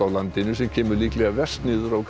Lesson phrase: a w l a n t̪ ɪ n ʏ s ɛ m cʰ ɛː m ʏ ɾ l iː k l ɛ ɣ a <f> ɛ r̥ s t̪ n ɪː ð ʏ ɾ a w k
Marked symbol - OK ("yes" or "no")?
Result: no